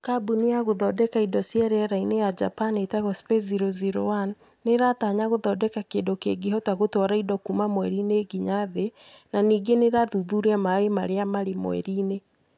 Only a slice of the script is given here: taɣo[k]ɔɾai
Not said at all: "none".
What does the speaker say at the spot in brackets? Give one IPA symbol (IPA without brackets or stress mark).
t